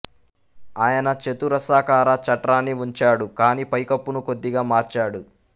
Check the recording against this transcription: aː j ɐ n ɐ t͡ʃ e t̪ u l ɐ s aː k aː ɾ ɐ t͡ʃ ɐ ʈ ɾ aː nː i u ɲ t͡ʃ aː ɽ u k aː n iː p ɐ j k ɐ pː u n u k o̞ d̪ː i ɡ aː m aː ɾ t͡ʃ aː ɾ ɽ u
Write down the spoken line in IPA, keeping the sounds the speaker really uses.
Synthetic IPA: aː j ɐ n ɐ t͡ʃ e t̪ u ɾ ɐ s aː k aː ɾ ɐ t͡ʃ ɐ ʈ ɾ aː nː i u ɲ t͡ʃ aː ɽ u k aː n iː p ɐ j k ɐ pː u n u k o̞ d̪ː i ɡ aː m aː ɾ t͡ʃ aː ɽ u

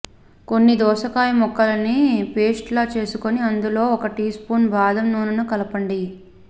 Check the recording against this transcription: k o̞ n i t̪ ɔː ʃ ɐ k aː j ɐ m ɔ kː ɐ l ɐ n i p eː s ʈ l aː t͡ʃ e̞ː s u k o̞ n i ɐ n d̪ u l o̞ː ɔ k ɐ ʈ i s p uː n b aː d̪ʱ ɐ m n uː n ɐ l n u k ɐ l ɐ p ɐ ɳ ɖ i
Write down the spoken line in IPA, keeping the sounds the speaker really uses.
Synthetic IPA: k o̞ nː i d̪ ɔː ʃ ɐ k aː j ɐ m ɔ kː ɐ l ɐ n i p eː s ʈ l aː t͡ʃ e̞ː s u k o̞ n i ɐ n d̪ u l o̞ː ɔ k ɐ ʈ i s p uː n b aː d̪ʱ ɐ m n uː n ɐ n u k ɐ l ɐ p ɐ ɳ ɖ i

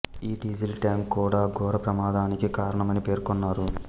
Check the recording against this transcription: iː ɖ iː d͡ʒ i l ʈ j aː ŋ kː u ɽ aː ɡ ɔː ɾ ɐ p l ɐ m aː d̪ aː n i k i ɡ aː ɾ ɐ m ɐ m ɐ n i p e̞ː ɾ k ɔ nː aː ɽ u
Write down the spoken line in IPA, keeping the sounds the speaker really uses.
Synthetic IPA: iː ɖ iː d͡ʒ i l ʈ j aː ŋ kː uː ɽ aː ɡ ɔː ɾ ɐ p ɾ ɐ m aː d̪ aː n i k i k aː ɾ ɐ ɳ ɐ m ɐ n i p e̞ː ɾ k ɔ nː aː ɾ u

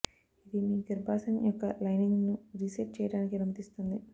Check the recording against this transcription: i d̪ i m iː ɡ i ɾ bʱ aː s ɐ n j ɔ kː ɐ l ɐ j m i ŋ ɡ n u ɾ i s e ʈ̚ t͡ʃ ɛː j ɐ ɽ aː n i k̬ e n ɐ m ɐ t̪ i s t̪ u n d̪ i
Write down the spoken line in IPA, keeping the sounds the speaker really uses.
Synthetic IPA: i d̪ i m iː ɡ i ɾ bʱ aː s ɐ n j ɔ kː ɐ l ɐ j n i ŋ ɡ n u ɾ i s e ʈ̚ t͡ʃ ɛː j ɐ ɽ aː n i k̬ i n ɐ m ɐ t̪ i s t̪ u n d̪ i

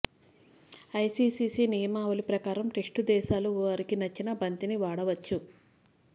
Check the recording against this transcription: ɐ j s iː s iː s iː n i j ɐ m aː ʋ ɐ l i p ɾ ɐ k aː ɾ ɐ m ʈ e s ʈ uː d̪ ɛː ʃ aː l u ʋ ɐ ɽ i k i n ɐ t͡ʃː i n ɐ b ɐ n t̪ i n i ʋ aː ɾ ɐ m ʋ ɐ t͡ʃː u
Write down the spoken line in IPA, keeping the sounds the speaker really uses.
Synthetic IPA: ɐ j s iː s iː s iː n i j ɐ m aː ʋ ɐ l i p ɾ ɐ k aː ɾ ɐ m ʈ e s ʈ u d̪ ɛː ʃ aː l u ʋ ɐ ɾ i k i n ɐ t͡ʃː i n ɐ b ɐ n t̪ i n i ʋ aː ɽ ɐ ʋ ɐ t͡ʃː u

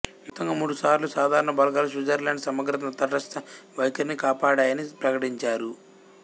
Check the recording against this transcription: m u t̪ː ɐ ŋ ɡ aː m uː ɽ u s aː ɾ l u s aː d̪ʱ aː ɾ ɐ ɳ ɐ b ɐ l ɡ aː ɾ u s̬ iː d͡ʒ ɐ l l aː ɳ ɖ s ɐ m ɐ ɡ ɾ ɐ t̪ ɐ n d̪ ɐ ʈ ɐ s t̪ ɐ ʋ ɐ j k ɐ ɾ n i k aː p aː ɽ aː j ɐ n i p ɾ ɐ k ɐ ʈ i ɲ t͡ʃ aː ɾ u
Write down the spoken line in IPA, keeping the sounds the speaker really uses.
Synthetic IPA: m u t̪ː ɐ ŋ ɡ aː m uː ɽ u s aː ɾ l u s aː d̪ʱ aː ɾ ɐ ɳ ɐ b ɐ l ɡ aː l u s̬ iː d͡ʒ ɐ ɾ l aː ɳ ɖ s ɐ m ɐ ɡ ɾ ɐ t̪ ɐ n t̪ ɐ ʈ ɐ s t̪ ɐ ʋ ɐ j k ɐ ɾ n i k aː p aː ɽ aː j ɐ n i p ɾ ɐ k ɐ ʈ i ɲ t͡ʃ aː ɾ u

